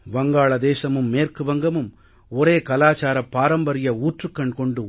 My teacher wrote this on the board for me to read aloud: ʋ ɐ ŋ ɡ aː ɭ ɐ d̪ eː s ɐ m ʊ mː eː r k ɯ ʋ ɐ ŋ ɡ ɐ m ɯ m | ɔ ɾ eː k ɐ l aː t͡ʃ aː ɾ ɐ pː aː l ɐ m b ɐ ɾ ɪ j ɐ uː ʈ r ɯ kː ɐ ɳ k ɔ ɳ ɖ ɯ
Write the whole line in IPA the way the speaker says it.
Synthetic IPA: ʋ ɐ ŋ ɡ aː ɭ ɐ d̪ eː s ɐ m ɯ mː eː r k ɯ ʋ ɐ ŋ ɡ ɐ m ɯ m | ɔ ɾ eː k ɐ l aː t͡ʃ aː ɾ ɐ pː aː ɾ ɐ m b ɐ ɾ ɪ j ɐ uː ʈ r ɯ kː ɐ ɳ k ɔ ɳ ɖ ɯ